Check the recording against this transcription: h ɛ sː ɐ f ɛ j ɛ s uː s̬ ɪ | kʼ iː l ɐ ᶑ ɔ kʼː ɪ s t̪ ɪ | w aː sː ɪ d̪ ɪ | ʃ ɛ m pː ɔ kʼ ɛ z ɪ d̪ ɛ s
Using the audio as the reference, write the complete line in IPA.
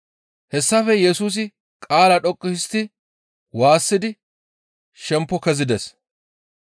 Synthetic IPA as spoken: h ɛ sː ɐ f ɛ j ɛ s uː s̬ ɪ | kʼ aː l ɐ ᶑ ɔ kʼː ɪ s t̪ ɪ | w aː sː ɪ d̪ ɪ | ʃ ɛ m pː ɔ k ɛ z ɪ d̪ ɛ s